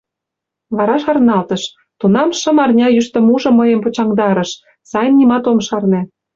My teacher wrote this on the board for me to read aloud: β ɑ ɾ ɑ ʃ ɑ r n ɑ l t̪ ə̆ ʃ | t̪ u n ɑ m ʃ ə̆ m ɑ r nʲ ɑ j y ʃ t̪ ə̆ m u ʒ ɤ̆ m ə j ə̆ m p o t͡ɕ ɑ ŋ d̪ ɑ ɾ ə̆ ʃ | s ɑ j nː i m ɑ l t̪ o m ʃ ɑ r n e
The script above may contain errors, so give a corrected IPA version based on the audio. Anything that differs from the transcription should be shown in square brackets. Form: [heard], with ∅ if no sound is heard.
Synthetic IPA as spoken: β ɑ ɾ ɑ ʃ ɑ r n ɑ l t̪ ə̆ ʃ | t̪ u n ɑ m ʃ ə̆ m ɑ r nʲ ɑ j y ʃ t̪ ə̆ m u ʒ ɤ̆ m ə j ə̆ m p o t͡ɕ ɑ ŋ d̪ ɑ ɾ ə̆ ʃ | s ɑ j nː i m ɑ [∅] t̪ o m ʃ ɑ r n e